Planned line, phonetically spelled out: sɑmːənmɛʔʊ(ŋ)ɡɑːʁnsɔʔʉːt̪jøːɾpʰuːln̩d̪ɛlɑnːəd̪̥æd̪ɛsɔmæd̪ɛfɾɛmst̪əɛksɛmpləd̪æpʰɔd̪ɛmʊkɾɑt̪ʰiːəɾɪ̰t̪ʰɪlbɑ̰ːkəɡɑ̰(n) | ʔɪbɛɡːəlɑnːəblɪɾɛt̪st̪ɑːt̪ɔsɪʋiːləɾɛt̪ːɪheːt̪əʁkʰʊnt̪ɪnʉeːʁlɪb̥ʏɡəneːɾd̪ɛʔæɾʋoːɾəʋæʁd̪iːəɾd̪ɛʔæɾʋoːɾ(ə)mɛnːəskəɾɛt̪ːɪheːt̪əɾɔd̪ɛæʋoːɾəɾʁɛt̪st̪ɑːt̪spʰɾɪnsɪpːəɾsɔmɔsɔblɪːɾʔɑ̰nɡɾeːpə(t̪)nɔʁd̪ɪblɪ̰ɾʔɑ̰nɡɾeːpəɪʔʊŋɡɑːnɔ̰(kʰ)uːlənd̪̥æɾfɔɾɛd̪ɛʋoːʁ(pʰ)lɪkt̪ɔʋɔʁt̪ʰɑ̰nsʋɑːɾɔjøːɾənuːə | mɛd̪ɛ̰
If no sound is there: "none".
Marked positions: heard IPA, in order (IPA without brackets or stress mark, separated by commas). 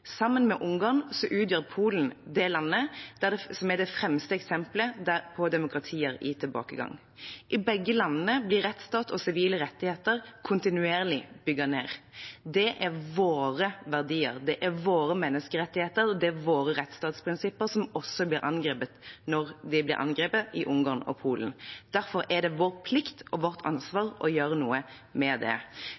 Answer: ŋ, ŋ, ə, t̪, pʰ, pʰ